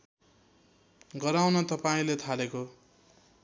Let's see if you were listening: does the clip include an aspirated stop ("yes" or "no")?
yes